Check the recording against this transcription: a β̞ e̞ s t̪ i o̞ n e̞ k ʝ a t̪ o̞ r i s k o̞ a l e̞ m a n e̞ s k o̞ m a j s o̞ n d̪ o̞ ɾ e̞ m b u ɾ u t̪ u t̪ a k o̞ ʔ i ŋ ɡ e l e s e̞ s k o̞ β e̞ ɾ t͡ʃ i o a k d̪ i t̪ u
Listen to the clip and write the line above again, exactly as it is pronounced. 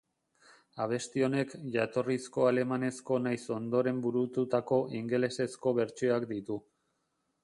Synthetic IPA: a β̞ e̞ s t̪ i o̞ n e̞ k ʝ a t̪ o̞ r i s k o̞ a l e̞ m a n e̞ s k o̞ n a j s o̞ n d̪ o̞ ɾ e̞ m b u ɾ u t̪ u t̪ a k o̞ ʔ i ŋ ɡ e l e s e̞ s k o̞ β e̞ ɾ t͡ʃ i o a k d̪ i t̪ u